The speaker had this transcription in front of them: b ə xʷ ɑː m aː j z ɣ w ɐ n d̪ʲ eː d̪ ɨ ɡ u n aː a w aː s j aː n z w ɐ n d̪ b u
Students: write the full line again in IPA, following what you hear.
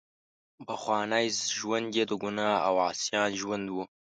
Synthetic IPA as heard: b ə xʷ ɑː n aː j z ʒ w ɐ n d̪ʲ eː d̪ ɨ ɡ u n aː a w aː s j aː n ʒ w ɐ n d̪ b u